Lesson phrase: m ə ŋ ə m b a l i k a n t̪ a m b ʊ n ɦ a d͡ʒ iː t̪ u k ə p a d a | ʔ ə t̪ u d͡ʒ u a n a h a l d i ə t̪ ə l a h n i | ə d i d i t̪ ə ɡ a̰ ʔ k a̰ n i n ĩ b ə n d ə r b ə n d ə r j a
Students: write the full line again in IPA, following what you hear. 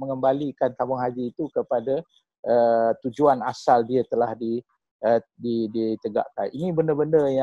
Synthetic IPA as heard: m ə ŋ ə m b a l i k a n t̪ a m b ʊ ŋ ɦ a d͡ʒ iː t̪ u k ə p a d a | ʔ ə t̪ u d͡ʒ u a n a s a l d i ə t̪ ə l a h d i | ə d i d i t̪ ə ɡ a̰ ʔ k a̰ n i n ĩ b ə n d ə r b ə n d ə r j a